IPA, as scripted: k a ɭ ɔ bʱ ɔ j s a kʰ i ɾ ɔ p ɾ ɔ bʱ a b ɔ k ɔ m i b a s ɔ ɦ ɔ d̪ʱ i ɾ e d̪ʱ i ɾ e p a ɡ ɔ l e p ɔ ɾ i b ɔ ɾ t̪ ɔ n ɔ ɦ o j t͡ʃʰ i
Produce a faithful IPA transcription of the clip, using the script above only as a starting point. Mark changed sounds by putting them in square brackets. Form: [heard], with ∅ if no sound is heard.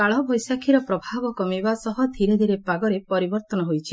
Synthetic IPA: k a ɭ ɔ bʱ ɔ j s a kʰ i ɾ ɔ p ɾ ɔ bʱ a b ɔ k ɔ m i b a s ɔ ɦ ɔ d̪ʱ i ɾ e d̪ʱ i ɾ e p a ɡ ɔ [ɾ] e p ɔ ɾ i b ɔ ɾ t̪ ɔ n ɔ ɦ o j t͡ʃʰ i